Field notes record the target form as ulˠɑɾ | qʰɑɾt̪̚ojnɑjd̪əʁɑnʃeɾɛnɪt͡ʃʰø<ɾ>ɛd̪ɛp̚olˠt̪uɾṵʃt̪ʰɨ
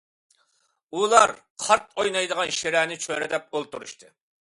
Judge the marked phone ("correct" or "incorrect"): correct